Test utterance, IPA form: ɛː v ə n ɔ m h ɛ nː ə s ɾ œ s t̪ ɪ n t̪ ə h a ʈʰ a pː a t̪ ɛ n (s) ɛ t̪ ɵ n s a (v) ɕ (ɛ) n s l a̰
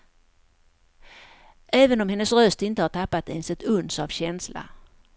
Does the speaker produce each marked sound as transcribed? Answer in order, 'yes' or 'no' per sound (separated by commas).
yes, yes, yes